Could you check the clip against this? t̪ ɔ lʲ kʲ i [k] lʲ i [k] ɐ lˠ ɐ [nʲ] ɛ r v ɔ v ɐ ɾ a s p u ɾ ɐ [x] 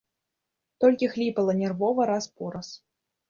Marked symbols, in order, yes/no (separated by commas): no, no, yes, no